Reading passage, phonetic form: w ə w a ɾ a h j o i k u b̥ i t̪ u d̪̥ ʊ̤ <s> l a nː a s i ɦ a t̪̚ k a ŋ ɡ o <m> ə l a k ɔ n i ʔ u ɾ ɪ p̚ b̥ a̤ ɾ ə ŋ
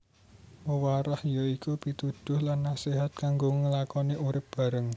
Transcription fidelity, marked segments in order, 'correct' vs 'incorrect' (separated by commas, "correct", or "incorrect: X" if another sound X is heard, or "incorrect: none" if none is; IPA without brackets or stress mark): incorrect: h, incorrect: ŋ